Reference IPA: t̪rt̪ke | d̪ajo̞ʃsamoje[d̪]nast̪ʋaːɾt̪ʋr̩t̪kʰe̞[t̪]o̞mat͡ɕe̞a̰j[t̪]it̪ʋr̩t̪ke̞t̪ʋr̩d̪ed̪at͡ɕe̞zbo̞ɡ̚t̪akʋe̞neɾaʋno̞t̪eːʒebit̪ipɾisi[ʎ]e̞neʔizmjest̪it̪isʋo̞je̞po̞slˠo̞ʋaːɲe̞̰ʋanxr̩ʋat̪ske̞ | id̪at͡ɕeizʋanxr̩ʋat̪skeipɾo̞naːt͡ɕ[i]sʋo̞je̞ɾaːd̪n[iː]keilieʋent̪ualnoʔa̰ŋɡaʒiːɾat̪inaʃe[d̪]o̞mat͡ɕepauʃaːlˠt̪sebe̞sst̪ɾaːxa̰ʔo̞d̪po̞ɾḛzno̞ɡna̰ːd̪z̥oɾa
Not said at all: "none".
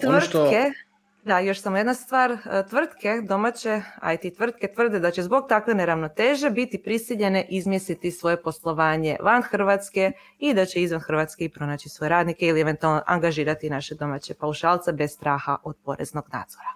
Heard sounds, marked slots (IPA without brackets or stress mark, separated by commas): d̪, d̪, t̪, ʎ, i, i, d̪